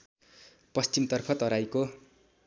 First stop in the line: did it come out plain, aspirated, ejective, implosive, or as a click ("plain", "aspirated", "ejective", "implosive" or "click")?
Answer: plain